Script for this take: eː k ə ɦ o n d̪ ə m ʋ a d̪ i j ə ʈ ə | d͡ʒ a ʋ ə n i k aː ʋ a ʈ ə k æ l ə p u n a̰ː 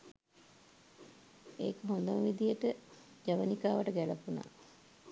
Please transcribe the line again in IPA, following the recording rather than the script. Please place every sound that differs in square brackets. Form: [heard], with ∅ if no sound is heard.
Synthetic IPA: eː k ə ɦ o n d̪ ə m ʋ [i] d̪ i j ə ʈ ə | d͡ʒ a ʋ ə n i k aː ʋ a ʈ ə [ɡ] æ l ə p u n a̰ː